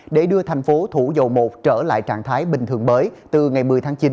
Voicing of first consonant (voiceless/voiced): voiced